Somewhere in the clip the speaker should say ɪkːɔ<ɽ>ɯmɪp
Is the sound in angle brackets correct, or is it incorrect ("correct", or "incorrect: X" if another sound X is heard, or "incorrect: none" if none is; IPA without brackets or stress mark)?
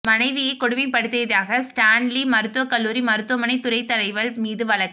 correct